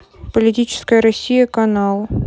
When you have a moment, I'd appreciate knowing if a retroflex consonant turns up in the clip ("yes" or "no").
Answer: no